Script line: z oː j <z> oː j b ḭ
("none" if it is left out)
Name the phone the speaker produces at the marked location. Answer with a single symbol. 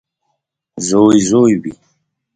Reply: z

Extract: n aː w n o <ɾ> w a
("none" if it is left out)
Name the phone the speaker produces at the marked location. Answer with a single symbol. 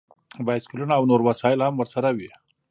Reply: ɾ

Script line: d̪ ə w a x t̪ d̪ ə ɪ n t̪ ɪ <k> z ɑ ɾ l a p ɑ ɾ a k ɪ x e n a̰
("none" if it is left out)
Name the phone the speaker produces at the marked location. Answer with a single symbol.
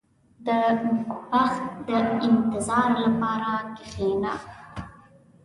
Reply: none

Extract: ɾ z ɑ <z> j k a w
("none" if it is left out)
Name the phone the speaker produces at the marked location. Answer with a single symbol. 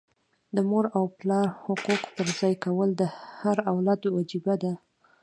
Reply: none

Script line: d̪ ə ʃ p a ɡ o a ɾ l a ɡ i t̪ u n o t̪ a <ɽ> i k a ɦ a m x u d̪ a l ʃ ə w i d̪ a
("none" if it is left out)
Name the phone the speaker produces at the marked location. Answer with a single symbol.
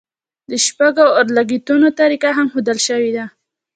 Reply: ɾ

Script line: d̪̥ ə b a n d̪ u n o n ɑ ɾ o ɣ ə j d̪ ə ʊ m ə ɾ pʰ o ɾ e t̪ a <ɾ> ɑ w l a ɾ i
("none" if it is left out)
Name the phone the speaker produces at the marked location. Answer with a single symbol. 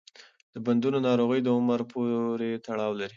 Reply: ɽ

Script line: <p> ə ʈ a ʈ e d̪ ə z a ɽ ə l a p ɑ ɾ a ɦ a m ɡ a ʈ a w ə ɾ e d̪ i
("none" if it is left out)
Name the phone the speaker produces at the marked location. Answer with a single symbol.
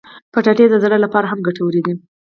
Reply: p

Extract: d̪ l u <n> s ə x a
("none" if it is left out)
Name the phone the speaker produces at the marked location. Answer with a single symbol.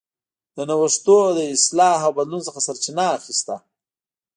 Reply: n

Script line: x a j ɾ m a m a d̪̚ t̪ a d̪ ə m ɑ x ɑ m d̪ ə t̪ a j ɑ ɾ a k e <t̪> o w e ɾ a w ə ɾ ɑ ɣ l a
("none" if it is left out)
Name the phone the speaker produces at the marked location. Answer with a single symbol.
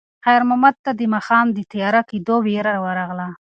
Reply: d̪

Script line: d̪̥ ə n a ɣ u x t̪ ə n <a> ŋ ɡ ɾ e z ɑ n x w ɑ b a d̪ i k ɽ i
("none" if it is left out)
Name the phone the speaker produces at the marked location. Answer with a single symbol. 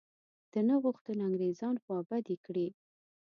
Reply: a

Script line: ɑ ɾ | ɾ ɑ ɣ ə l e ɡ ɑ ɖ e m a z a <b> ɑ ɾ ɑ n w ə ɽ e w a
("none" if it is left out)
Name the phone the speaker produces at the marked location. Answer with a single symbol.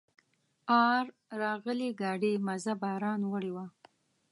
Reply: b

